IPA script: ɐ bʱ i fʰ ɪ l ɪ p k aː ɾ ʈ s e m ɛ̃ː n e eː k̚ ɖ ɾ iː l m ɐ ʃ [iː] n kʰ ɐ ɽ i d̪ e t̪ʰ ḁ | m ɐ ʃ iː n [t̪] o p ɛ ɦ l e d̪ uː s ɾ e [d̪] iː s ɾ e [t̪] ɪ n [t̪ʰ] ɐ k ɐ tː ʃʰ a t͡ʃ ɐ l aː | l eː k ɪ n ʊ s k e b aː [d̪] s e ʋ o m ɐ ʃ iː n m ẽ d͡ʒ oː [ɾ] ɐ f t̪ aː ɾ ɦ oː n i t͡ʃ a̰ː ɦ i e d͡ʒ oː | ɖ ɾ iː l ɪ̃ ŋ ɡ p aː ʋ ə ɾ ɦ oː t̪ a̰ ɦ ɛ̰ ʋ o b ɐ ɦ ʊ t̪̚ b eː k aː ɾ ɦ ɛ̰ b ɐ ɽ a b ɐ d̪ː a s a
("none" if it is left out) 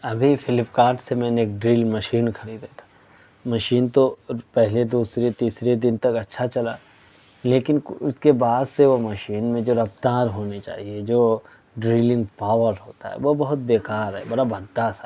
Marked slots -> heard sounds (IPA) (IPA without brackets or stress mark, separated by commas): iː, t̪, t̪, d̪, t̪, d̪, ɾ